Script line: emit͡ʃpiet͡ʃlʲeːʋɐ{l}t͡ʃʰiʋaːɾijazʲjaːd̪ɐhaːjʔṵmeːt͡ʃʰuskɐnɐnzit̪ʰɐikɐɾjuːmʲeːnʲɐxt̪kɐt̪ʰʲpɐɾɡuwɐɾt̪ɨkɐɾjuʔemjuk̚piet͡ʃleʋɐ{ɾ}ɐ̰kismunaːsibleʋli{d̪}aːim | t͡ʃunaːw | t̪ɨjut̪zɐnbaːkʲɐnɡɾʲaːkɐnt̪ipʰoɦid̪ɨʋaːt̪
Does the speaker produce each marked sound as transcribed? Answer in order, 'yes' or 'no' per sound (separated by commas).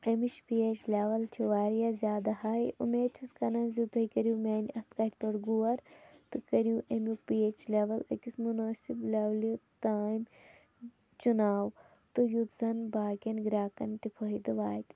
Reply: yes, no, no